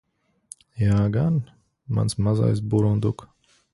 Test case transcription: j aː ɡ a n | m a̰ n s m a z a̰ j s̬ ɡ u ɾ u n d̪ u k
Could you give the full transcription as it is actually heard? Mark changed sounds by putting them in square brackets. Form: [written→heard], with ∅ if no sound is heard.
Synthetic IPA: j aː ɡ a n | m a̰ n s m a z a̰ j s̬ [ɡ→b] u ɾ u n d̪ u k

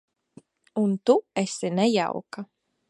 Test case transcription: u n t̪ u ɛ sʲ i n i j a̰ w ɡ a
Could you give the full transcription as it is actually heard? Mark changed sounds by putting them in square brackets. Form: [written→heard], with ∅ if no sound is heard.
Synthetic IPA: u n t̪ u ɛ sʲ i n [i→ɛ] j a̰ w [ɡ→k] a

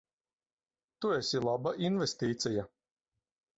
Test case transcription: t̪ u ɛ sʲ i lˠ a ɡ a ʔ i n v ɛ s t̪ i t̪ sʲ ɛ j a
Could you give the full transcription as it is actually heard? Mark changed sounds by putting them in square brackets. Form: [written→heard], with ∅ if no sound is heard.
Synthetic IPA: t̪ u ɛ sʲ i lˠ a [ɡ→b] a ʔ i n v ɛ s t̪ [i→iː] t̪ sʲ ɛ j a

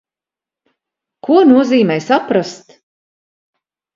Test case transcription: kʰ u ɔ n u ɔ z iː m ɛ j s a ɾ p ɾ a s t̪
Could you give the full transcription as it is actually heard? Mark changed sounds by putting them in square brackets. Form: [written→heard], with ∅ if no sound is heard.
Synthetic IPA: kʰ u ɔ n u ɔ z iː m ɛ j s a [ɾ→∅] p ɾ a s t̪

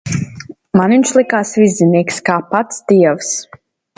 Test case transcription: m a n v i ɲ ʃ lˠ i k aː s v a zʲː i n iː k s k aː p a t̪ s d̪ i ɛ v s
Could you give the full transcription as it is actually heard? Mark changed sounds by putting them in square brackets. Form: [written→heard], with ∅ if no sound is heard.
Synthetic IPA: m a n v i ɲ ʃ lˠ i k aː s v [a→i] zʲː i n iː k s k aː p a t̪ s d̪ i ɛ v s

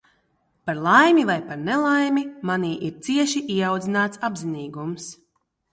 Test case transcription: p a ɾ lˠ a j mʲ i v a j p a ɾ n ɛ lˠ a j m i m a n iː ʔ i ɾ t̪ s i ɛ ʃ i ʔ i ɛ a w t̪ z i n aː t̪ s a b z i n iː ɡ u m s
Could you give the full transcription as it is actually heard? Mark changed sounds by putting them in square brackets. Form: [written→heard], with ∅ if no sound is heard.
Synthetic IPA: p a ɾ lˠ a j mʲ i v a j p a ɾ n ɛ lˠ a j m i m a n iː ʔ i ɾ t̪ s i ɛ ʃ i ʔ i ɛ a w [t̪→d̪] z i n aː t̪ s a b z i n iː ɡ u m s

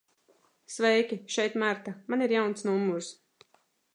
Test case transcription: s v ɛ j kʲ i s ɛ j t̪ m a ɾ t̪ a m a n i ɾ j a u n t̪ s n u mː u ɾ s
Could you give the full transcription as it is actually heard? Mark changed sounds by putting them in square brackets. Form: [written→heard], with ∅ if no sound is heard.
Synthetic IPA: s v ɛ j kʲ i [s→ʃ] ɛ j t̪ m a ɾ t̪ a m a n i ɾ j a [u→w] n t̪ s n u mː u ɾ s

